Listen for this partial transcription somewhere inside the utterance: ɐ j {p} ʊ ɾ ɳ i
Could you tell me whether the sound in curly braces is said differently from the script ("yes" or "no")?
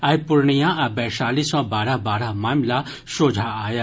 no